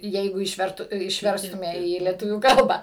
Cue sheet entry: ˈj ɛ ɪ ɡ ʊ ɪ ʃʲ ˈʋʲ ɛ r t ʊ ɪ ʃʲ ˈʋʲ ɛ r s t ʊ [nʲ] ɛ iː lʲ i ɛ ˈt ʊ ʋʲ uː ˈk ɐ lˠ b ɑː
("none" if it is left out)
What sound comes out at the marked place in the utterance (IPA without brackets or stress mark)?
mʲ